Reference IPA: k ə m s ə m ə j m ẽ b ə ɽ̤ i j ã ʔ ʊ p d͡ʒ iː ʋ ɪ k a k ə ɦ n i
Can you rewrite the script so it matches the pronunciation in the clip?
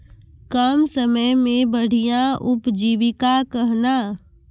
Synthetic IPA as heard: k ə m s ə m ə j m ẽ b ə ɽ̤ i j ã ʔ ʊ p d͡ʒ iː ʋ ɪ k a k ə ɦ n a